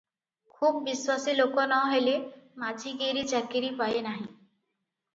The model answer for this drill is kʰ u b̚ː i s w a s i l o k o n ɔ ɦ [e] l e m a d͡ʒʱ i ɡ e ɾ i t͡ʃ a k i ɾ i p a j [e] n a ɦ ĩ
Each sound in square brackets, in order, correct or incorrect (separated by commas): correct, correct